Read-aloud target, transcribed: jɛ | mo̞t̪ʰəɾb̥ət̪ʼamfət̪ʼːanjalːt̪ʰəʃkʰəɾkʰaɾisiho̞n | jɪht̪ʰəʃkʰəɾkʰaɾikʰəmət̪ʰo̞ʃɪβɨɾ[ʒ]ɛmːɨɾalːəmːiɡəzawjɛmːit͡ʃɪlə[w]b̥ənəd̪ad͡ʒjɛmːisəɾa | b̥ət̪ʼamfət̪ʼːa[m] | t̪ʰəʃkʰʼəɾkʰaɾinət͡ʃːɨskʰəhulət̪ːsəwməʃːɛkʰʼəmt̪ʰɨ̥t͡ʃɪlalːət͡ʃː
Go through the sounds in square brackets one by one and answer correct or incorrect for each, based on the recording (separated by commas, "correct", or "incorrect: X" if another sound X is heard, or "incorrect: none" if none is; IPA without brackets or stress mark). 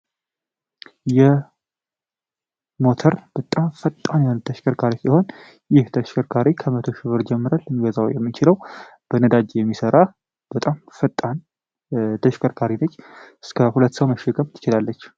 incorrect: d͡ʒ, correct, incorrect: n